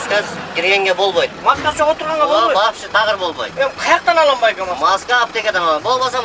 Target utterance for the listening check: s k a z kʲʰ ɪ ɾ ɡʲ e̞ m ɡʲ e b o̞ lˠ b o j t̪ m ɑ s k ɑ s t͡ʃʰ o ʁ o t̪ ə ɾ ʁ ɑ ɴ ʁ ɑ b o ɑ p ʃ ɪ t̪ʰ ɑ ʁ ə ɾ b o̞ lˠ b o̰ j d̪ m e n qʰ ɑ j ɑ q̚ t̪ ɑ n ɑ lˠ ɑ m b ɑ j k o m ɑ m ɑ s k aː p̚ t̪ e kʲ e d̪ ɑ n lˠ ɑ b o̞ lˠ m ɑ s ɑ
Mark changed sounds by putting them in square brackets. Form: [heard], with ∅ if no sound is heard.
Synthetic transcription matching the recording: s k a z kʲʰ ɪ ɾ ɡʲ e̞ [ŋ] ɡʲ e b o̞ lˠ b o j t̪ m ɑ s k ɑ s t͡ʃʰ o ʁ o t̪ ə ɾ ʁ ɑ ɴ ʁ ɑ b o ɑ p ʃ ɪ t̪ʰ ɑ ʁ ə ɾ b o̞ lˠ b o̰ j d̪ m e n qʰ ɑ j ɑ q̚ t̪ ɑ n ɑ lˠ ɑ m b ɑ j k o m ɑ m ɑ s k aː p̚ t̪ e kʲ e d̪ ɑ n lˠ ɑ b o̞ lˠ m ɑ s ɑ